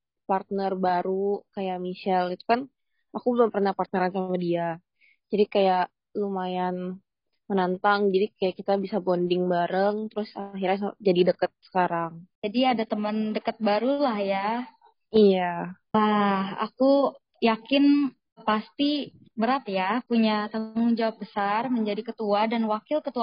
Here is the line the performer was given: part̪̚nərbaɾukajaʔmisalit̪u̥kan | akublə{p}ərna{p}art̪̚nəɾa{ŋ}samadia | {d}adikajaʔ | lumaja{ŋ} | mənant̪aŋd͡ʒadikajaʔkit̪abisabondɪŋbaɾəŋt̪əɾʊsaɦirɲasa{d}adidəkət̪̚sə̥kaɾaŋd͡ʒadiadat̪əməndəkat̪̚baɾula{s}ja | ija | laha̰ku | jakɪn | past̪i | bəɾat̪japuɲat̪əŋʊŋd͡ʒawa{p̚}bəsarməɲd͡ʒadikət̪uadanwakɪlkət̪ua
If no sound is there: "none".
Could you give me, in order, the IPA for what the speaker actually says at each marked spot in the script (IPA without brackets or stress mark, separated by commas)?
p, p, n, d͡ʒ, n, d͡ʒ, h, p̚